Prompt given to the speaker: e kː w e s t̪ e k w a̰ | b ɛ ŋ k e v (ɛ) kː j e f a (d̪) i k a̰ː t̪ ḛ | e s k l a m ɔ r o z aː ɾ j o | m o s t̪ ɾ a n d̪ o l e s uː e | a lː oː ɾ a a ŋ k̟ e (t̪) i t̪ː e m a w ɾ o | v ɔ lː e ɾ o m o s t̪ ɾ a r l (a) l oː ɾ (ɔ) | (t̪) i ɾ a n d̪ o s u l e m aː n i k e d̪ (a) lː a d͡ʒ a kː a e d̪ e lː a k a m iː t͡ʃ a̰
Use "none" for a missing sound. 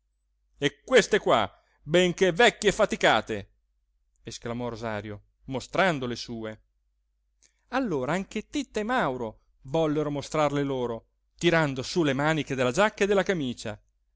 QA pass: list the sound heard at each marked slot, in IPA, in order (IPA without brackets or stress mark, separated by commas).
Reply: ɛ, t̪, t̪, e, o, t̪, e